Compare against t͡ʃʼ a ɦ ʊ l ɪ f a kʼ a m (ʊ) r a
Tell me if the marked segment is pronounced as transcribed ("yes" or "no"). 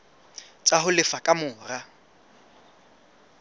no